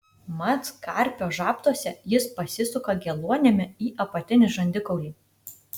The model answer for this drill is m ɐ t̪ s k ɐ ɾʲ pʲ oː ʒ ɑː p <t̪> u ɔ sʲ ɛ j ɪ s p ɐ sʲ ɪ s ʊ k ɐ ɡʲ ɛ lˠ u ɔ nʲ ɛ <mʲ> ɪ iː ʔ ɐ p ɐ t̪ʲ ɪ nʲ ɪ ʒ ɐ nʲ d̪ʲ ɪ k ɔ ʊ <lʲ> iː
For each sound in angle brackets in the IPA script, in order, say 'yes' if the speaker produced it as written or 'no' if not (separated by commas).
yes, yes, yes